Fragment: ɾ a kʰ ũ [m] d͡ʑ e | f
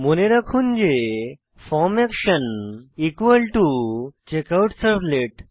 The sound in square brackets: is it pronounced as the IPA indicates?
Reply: no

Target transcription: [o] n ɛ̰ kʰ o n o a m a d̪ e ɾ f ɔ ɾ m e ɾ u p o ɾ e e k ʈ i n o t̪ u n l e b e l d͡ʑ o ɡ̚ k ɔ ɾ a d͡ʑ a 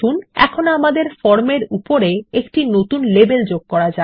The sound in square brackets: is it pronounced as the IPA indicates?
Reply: no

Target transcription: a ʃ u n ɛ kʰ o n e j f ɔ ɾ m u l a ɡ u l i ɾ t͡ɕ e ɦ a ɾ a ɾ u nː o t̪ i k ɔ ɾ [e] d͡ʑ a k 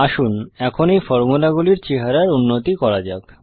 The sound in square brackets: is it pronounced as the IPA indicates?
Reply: no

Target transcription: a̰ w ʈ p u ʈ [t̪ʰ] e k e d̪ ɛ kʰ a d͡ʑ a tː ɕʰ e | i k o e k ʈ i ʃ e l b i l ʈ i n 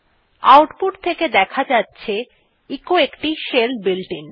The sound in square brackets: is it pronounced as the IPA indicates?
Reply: yes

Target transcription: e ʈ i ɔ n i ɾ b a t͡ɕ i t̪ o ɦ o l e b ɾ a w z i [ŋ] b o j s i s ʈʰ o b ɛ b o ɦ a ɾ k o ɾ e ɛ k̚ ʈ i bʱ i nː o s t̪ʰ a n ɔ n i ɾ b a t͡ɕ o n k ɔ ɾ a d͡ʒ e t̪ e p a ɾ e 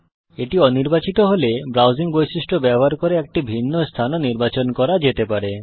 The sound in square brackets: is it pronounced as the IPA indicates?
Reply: yes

